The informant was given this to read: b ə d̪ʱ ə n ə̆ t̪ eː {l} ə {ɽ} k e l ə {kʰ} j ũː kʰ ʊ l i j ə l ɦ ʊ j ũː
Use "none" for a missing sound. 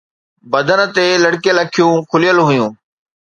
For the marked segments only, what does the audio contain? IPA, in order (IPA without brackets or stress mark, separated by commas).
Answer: l, ɽ, kʰ